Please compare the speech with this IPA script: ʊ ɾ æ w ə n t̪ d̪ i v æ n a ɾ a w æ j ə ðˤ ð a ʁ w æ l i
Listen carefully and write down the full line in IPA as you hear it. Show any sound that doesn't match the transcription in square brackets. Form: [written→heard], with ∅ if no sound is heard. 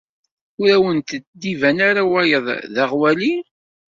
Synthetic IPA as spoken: ʊ ɾ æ w ə n t̪ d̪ i v æ n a ɾ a w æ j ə ðˤ ð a ʁ w æ l i

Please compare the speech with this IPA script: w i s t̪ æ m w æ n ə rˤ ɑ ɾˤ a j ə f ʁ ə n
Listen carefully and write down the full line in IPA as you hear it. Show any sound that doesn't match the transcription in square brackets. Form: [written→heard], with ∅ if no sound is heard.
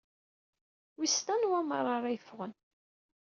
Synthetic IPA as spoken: w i s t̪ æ [m→n] w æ [n→m] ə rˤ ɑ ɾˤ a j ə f ʁ ə n

